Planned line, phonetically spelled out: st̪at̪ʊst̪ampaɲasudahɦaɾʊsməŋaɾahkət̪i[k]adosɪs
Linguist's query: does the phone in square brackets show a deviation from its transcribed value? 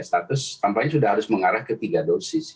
yes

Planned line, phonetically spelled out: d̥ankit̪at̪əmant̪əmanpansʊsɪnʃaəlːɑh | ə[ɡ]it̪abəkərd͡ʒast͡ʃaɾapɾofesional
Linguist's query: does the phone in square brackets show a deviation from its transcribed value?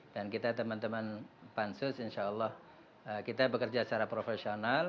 yes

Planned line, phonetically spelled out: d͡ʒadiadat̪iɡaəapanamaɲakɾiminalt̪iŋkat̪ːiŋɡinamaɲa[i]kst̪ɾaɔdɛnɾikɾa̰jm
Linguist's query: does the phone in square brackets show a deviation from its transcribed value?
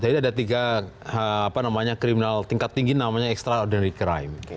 yes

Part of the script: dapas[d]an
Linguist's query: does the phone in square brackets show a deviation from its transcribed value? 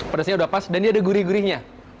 no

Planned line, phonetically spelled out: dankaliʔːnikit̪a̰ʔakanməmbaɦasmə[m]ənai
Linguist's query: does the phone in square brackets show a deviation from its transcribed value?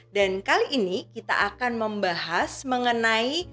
yes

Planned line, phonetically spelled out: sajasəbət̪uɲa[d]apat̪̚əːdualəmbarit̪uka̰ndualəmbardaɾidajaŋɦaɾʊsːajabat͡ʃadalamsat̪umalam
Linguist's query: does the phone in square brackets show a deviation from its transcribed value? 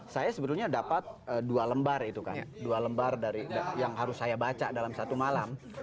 no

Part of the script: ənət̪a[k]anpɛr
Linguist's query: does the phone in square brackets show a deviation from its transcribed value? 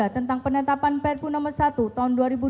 yes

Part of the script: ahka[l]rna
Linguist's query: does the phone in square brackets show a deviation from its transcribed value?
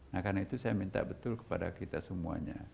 yes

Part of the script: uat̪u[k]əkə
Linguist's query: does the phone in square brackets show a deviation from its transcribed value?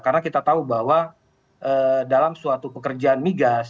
yes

